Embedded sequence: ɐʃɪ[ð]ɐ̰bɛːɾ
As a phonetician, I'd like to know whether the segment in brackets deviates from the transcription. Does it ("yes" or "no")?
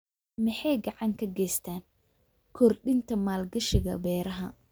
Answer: yes